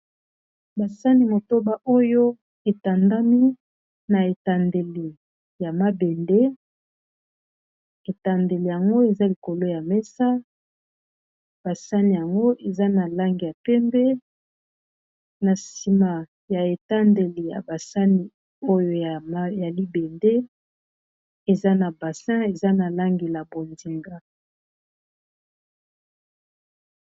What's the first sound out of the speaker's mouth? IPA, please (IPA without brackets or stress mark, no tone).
b